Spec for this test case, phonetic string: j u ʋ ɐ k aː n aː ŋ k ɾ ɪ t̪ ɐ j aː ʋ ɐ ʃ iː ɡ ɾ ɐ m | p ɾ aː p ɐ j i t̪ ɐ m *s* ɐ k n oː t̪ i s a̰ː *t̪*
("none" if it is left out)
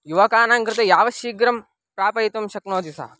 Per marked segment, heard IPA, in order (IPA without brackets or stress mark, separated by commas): ʃ, none